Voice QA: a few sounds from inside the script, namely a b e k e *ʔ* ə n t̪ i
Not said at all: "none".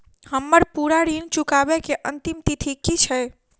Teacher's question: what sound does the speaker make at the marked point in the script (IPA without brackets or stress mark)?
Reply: ʔ